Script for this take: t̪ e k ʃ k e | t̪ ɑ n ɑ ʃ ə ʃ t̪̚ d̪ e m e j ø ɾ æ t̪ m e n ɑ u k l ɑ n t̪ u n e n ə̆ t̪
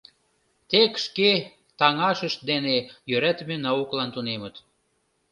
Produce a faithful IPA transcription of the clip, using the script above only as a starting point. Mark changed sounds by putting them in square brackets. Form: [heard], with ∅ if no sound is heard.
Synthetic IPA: t̪ e k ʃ k e | t̪ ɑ [ŋ] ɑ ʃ ə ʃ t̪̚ d̪ e [n] e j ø ɾ æ t̪ m e n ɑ u k l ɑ n t̪ u n e [m] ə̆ t̪